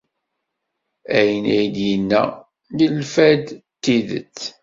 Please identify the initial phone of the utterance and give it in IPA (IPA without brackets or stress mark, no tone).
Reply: æ